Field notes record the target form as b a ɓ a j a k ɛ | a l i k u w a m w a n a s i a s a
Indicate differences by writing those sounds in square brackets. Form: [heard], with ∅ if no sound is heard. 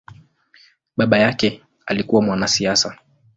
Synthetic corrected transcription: [ɓ] a ɓ a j a k ɛ | a l i k u w a m w a n a s i a s a

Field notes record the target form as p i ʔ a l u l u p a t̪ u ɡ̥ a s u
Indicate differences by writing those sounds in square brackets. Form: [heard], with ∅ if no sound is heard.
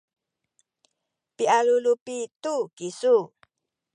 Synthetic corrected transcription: p i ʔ a l u l u p [i] t̪ u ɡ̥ [i] s u

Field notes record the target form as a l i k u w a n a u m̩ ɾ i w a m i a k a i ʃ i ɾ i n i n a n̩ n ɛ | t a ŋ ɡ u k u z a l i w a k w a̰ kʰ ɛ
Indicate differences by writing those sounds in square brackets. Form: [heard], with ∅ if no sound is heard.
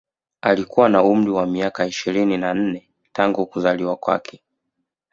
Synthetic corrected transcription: a l i k u w a n a u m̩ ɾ i w a m i a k a i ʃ i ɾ i n i n a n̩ n ɛ | t a ŋ ɡ u k u z a l i w a k w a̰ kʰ ɛ

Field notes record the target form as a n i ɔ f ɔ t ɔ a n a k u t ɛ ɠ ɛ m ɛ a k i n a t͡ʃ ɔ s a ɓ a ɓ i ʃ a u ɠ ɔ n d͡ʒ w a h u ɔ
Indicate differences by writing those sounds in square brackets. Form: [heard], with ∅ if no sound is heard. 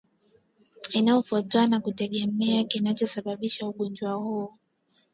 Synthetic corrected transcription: [i] n [a] ɔ f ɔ t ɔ a n a k u t ɛ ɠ ɛ m ɛ a k i n a t͡ʃ ɔ s a ɓ a ɓ i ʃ a u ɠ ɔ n d͡ʒ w a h u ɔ

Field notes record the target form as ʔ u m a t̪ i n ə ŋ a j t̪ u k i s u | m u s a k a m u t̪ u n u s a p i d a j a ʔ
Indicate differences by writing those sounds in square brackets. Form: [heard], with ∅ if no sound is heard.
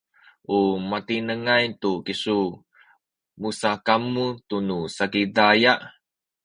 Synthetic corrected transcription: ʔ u m a t̪ i n ə ŋ a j t̪ u k i s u | m u s a k a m u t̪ u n u s a [k] i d a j a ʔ

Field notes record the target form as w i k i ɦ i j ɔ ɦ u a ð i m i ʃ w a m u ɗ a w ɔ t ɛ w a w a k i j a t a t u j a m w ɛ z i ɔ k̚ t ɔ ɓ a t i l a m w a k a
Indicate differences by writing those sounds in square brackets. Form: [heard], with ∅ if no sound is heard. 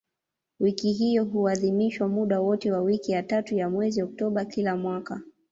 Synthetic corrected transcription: w i k i ɦ i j ɔ ɦ u a ð i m i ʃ w a m u ɗ a w ɔ t ɛ w a w [i] k i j a t a t u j a m w ɛ z i ɔ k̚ t ɔ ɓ a [k] i l a m w a k a

